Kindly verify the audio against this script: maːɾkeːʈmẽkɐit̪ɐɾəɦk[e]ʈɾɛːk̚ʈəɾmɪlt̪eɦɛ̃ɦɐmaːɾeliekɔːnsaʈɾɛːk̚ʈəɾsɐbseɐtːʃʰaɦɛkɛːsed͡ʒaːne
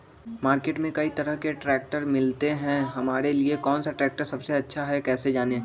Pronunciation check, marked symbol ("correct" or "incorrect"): correct